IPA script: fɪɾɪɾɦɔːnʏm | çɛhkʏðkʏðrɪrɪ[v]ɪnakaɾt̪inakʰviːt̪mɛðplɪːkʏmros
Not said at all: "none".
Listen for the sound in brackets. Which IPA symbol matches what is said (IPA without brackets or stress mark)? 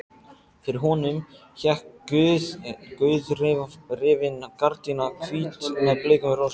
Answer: v